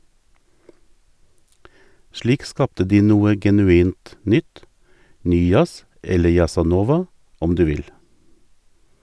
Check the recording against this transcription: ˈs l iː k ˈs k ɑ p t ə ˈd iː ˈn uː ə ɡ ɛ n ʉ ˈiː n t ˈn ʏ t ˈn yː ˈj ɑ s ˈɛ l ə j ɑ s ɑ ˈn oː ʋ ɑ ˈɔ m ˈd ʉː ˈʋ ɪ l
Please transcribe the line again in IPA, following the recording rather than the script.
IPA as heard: ˈʃ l iː k ˈs k ɑ p t ə ˈd iː ˈn uː ə ɡ ɛ n ʉ ˈiː n t ˈn ʏ t ˈn yː ˈj ɑ s ˈɛ l ə j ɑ s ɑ ˈn oː ʋ ɑ ˈɔ m ˈd ʉː ˈʋ ɪ l

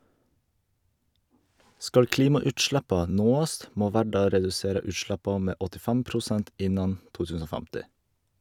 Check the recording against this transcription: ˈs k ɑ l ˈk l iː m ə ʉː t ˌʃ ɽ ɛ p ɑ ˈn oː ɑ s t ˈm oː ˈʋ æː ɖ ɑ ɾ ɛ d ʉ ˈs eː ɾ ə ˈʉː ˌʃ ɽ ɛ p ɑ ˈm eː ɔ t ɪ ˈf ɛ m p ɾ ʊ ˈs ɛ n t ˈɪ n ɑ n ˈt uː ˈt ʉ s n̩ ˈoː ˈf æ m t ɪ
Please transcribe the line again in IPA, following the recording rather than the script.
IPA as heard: ˈs k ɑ l ˈk l iː m ɑ ʉː t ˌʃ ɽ ɛ p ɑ ˈn oː ɑ s t ˈm oː ˈʋ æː ɖ ɑ ɾ ɛ d ʉ ˈs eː ɾ ə ˈʉː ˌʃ ɽ ɛ p ɑ ˈm eː ɔ t ɪ ˈf ɛ m p ɾ ʊ ˈs ɛ n t ˈɪ n ɑ n ˈt uː ˈt ʉ s n̩ ˈoː ˈf æ m t ɪ

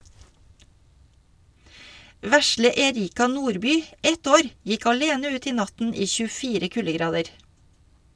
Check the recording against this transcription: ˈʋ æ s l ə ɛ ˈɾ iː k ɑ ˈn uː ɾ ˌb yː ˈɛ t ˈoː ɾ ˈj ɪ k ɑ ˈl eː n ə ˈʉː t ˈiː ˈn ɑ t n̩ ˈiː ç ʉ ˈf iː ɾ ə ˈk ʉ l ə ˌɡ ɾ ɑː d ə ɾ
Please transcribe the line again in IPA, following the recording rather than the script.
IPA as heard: ˈʋ æ s l ə ɛ ˈɾ iː k ɑ ˈn uː ɾ ˌb yː ˈɛ t ˈoː ɾ ˈj ɪ k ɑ ˈl eː n ə ˈʉː t ˈiː ˈn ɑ t n̩ ˈiː ç ʉ ˈf iː ɾ ə ˈk ʉ l ə ˌɡ ɾ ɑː d ə ɾ

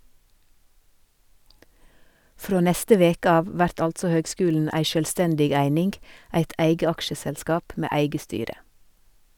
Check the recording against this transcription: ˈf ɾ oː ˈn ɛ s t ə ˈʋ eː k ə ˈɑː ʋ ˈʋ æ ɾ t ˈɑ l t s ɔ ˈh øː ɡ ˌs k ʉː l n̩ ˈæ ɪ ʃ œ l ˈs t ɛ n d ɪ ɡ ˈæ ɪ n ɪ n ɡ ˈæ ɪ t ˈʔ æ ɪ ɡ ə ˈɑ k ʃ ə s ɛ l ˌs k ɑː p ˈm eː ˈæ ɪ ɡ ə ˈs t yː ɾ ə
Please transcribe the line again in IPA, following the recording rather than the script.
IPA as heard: ˈf ɾ oː ˈn ɛ s t ə ˈʋ eː k ə ˈɑː ʋ ˈʋ æ ɾ t ˈɑ l t s ɔ ˈh øː ɡ ˌs k ʉː l n̩ ˈæ ɪ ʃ œ l ˈs t ɛ n d ɪ ɡ ˈæ ɪ n ɪ n ɡ ˈæ ɪ t ˈʔ æ ɪ ɡ ə ˈɑ k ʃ ə s ɛ l ˌs k ɑː p ˈm eː ˈæ ɪ ɡ ə ˈs t yː ɾ ə

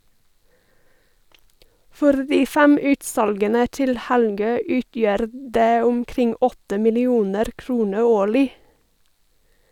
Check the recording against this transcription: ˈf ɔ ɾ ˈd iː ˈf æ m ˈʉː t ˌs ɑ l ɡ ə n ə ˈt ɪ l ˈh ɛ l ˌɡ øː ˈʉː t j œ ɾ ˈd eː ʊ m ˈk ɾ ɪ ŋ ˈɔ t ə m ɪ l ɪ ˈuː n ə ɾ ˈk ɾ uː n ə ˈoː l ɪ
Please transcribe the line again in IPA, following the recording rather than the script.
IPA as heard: ˈf ɔ ɾ ˈd iː ˈf æ m ˈʉː t ˌs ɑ l ɡ ə n ə ˈt ɪ l ˈh æ l ˌɡ øː ˈʉː t j œ ɾ ˈd eː ʊ m ˈk ɾ ɪ ŋ ˈɔ t ə m ɪ l ɪ ˈuː n ə ɾ ˈk ɾ uː n ə ˈoː ɭ ɪ

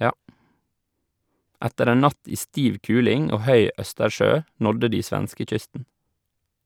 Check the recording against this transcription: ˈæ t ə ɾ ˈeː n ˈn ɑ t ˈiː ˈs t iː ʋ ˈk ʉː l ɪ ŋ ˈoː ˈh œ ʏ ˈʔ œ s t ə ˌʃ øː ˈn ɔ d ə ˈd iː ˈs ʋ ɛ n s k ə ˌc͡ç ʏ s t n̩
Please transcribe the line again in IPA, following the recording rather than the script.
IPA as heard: ˈæ t ə ɾ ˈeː n ˈn ɑ t ˈiː ˈs t iː ʋ ˈk ʉː l ɪ ŋ ˈoː ˈh œ ʏ ˈʔ œ s t ə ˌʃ øː ˈn ɔ d ə ˈd iː ˈs ʋ æ n s k ə ˌc͡ç ʏ s t n̩

